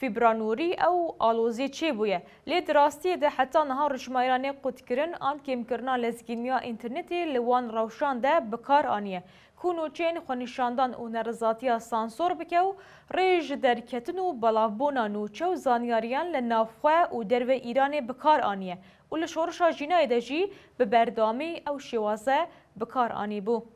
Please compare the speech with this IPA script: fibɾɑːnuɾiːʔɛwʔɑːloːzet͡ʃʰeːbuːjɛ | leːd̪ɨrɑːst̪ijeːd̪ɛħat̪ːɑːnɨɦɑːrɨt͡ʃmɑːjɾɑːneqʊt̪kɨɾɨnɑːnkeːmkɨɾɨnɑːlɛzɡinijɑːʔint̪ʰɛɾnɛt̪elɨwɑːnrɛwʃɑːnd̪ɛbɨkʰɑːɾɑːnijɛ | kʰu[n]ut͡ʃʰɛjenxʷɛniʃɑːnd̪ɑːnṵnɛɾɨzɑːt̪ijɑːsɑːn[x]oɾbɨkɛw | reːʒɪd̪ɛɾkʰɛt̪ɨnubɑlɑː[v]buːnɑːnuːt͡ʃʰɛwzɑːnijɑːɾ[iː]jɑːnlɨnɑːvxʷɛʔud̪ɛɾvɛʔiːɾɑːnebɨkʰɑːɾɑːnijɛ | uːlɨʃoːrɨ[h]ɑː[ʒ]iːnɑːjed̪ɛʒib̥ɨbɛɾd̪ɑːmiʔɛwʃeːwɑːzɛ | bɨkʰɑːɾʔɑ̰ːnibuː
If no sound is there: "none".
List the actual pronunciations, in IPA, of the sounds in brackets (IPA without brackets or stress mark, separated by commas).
n, s, v, i, ʃ, ʒ